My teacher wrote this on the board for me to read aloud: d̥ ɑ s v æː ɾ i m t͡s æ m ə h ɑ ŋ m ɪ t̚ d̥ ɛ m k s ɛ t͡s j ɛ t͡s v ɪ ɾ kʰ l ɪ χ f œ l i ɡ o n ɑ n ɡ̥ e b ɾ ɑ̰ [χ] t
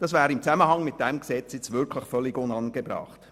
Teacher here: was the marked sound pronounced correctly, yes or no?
yes